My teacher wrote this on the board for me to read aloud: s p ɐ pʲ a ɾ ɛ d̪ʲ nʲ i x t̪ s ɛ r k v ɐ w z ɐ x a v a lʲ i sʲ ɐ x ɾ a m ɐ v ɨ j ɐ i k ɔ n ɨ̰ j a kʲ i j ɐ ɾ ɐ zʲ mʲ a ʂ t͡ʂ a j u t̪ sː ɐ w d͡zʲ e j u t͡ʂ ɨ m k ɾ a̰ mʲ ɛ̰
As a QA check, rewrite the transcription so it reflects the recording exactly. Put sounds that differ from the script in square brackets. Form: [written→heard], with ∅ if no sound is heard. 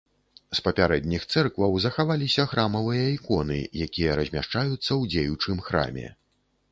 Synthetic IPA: s p ɐ pʲ a ɾ ɛ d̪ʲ nʲ i x t̪ s ɛ r k v ɐ w z ɐ x a v a lʲ i sʲ ɐ x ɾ a m ɐ v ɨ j ɐ i k ɔ n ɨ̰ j a kʲ i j ɐ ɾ ɐ zʲ mʲ a ʂ t͡ʂ a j u t̪ sː ɐ w d͡zʲ e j u t͡ʂ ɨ m [k→x] ɾ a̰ mʲ ɛ̰